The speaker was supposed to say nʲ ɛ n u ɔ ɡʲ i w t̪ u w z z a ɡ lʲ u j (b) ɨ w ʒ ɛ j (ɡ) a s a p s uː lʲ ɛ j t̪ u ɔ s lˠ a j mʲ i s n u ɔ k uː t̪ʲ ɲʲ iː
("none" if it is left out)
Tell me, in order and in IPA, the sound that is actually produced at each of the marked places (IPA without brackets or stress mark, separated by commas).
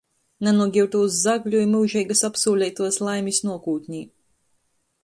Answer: m, ɡ